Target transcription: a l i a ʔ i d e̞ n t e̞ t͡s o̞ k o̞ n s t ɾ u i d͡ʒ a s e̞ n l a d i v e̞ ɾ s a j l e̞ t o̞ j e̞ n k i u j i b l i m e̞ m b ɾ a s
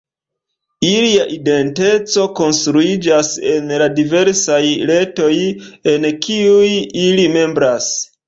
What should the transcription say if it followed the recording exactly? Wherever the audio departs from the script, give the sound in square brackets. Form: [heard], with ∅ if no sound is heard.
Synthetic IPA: [i] l i a ʔ i d e̞ n t e̞ t͡s o̞ k o̞ n s t ɾ u i d͡ʒ a s e̞ n l a d i v e̞ ɾ s a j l e̞ t o̞ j e̞ n k i u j i [∅] l i m e̞ m b ɾ a s